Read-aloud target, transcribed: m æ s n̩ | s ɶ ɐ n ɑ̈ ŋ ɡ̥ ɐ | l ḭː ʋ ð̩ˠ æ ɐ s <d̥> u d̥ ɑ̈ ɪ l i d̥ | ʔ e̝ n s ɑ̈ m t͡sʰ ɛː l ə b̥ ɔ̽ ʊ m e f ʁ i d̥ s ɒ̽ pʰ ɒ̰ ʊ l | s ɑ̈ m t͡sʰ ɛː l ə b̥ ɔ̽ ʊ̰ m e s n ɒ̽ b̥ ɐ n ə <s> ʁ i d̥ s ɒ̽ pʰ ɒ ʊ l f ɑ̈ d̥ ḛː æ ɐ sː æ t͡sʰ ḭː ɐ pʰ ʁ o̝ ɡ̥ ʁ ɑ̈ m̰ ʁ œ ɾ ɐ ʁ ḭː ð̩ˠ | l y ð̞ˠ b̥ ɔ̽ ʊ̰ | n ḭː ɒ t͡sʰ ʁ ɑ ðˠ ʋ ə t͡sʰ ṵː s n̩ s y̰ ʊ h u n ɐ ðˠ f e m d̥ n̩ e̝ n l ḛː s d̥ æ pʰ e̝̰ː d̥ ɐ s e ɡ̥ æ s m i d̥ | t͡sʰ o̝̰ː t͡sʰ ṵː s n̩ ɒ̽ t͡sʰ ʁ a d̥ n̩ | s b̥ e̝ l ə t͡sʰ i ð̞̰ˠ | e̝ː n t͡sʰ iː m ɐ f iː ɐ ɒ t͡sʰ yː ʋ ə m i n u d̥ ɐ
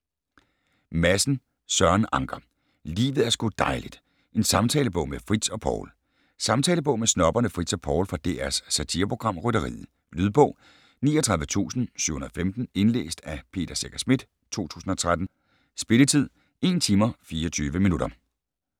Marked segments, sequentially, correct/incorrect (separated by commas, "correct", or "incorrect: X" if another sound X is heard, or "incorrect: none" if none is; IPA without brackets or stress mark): incorrect: ɡ̥, incorrect: f